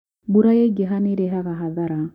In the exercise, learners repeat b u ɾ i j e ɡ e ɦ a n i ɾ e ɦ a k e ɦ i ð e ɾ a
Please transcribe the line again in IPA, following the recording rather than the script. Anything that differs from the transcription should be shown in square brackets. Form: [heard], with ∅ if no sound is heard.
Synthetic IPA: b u ɾ [a] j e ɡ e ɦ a n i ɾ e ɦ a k [a] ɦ [a] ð [a] ɾ a